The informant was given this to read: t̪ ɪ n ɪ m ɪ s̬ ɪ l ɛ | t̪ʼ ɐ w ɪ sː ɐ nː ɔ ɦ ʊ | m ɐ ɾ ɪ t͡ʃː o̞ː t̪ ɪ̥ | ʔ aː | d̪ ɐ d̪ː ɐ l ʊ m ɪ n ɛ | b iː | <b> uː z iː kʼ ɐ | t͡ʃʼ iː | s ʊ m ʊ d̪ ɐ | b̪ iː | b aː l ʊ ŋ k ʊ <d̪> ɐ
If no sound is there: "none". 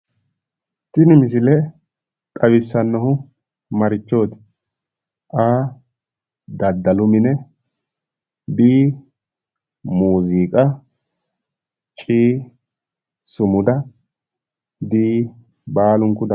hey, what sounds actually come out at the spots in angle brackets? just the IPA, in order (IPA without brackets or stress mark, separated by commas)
m, d̪